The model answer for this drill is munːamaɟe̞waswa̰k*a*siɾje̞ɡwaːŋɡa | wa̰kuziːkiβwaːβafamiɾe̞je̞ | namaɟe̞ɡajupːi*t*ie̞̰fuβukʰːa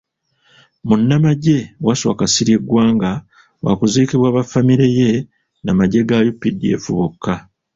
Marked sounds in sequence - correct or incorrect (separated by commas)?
correct, incorrect